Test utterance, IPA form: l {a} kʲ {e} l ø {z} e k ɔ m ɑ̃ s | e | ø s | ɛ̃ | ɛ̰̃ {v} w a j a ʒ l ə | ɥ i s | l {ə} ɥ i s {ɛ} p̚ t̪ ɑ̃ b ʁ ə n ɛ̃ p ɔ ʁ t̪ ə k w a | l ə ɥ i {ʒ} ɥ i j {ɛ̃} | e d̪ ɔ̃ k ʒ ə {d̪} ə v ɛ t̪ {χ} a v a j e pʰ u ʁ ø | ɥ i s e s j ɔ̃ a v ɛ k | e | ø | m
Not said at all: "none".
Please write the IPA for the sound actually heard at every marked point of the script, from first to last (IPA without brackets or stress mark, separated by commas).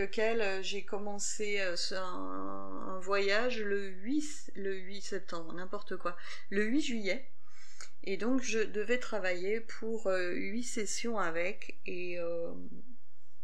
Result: ə, ɛ, ʒ, v, ə, ɛ, ʒ, ɛ, d̪, χ